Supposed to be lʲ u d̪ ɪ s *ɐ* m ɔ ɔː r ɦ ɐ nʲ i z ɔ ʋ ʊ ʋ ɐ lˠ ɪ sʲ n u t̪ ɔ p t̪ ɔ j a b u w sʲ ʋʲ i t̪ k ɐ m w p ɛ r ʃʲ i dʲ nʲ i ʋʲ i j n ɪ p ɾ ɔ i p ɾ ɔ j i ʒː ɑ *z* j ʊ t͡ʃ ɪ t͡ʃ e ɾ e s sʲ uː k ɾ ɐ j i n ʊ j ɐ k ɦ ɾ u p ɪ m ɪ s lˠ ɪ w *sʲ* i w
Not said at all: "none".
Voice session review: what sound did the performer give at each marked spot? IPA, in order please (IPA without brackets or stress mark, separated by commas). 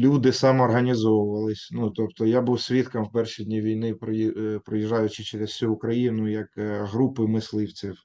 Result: ɑ, none, t͡sʲ